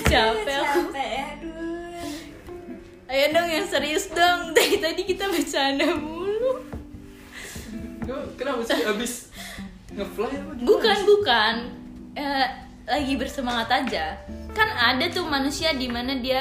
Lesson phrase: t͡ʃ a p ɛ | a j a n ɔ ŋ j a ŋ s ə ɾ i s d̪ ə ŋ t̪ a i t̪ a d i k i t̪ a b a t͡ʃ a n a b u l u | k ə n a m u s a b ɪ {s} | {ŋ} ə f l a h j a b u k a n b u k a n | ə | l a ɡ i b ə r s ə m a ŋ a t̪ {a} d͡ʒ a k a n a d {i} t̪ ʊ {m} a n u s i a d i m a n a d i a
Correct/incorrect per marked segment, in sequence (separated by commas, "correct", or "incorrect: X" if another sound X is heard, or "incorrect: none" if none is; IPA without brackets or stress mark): correct, correct, correct, incorrect: a, correct